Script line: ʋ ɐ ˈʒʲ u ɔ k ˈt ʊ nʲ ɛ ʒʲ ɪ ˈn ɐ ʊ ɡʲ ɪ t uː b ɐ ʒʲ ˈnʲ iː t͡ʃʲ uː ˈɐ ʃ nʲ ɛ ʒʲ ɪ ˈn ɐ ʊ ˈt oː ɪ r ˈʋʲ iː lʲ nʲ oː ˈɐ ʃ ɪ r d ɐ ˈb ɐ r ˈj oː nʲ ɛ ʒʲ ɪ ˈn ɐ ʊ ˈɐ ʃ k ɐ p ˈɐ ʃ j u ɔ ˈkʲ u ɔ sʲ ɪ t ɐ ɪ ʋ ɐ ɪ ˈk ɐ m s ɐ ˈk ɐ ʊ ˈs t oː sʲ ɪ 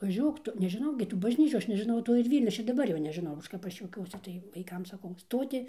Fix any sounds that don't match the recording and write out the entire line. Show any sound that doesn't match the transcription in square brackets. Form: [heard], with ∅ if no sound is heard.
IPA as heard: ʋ ɐ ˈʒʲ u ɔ k ˈt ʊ nʲ ɛ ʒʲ ɪ ˈn ɐ ʊ ɡʲ ɪ t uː b ɐ ʒʲ ˈnʲ iː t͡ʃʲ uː ˈɐ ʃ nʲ ɛ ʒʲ ɪ ˈn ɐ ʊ ˈt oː ɪ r ˈʋʲ iː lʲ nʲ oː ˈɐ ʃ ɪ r d ɐ ˈb ɐ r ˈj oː nʲ ɛ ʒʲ ɪ ˈn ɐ ʊ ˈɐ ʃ k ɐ p ˈɐ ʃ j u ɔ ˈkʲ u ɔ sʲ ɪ t ɐ ɪ ʋ ɐ ɪ ˈk ɐ m s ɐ ˈk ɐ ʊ ˈs t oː [tʲ] ɪ